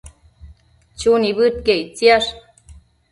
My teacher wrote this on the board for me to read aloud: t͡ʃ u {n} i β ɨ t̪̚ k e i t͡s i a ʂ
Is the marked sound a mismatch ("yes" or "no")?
no